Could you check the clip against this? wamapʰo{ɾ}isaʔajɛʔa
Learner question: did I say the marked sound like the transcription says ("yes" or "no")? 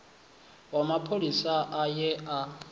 no